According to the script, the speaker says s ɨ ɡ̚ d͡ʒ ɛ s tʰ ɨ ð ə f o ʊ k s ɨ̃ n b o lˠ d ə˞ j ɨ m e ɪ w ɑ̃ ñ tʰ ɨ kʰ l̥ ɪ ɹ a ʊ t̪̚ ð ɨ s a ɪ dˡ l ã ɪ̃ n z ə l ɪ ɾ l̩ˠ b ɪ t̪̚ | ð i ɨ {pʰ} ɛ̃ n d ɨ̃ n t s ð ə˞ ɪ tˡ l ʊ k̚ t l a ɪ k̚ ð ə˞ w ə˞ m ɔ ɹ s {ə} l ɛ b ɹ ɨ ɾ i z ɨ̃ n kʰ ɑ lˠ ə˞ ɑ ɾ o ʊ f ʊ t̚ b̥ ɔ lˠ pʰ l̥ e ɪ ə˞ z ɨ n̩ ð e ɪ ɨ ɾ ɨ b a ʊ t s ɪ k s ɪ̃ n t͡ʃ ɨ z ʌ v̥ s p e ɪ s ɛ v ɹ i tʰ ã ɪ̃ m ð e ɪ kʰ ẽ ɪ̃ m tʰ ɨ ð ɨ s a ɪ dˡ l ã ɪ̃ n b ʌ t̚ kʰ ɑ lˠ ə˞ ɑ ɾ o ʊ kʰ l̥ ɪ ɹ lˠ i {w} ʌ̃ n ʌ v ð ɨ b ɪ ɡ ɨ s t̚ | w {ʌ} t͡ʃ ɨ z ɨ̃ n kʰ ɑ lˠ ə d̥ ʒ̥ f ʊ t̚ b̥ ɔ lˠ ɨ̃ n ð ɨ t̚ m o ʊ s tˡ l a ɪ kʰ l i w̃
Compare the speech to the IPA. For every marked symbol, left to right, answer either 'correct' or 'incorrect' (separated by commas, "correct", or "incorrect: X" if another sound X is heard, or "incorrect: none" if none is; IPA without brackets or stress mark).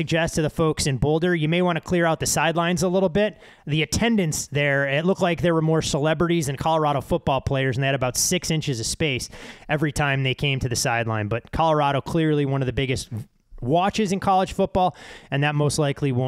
incorrect: tʰ, correct, correct, incorrect: ɑ